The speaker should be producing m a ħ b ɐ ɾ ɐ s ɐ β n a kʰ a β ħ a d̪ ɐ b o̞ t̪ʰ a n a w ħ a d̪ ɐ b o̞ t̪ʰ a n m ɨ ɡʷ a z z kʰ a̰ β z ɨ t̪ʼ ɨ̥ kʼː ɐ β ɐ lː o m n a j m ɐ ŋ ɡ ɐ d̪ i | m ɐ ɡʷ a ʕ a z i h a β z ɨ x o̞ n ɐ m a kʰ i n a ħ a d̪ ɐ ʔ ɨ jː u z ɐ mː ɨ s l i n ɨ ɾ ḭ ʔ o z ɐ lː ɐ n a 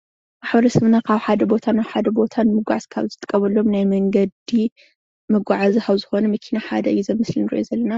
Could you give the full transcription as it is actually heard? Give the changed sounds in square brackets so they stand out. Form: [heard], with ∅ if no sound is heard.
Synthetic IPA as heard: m a ħ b ɐ ɾ ɐ s ɐ β n a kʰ a β ħ a d̪ ɐ b o̞ t̪ʰ a n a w ħ a d̪ ɐ b o̞ t̪ʰ a n m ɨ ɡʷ a [ʕ] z kʰ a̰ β z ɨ t̪ʼ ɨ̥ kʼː ɐ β ɐ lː o m n a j m ɐ ŋ ɡ ɐ d̪ i | m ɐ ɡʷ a ʕ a z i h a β z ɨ x o̞ n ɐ m [ɐ] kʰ i n a ħ a d̪ ɐ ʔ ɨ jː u z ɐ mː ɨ s l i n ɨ ɾ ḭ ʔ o z ɐ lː ɐ n a